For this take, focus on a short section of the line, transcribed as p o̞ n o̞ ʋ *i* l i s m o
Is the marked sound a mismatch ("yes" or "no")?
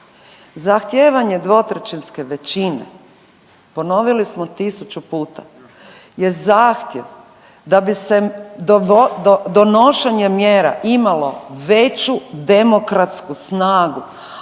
no